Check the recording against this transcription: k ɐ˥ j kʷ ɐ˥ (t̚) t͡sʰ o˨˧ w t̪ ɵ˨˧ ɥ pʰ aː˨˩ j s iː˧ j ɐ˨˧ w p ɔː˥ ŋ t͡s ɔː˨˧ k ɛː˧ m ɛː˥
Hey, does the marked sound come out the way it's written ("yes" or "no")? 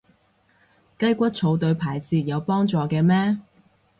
yes